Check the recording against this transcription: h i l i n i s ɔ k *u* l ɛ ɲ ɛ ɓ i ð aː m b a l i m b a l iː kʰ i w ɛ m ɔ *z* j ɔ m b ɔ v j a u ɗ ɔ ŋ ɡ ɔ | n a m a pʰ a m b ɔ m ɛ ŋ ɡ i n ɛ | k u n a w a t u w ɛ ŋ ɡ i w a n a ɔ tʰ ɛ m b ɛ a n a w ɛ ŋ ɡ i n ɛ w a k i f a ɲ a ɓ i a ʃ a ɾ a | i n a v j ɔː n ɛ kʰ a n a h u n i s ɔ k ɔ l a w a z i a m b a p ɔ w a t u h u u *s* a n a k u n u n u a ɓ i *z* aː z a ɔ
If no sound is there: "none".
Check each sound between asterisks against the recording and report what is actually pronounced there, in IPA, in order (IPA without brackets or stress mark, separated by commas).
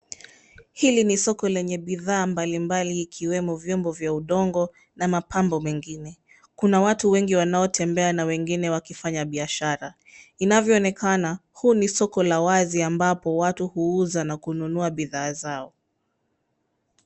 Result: ɔ, v, z, ð